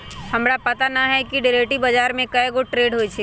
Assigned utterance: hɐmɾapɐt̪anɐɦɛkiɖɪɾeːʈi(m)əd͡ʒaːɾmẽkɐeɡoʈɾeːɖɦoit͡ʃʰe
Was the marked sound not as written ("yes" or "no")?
yes